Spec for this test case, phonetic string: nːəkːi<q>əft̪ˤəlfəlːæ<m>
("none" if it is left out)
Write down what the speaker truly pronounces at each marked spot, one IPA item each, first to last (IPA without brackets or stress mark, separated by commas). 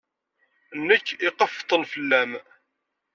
q, m